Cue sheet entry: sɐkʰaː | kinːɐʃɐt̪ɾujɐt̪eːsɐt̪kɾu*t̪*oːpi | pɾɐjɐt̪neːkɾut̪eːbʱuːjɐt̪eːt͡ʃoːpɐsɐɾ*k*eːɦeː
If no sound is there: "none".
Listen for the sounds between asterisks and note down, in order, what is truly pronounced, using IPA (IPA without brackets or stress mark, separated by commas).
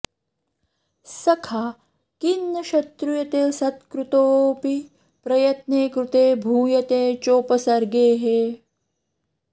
t̪, ɡ